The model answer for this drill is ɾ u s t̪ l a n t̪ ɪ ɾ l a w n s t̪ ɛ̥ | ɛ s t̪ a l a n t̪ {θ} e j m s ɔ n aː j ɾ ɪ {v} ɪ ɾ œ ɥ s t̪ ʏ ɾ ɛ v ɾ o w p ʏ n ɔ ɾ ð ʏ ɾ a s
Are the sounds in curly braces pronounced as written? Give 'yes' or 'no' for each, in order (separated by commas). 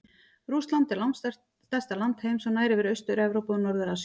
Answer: no, yes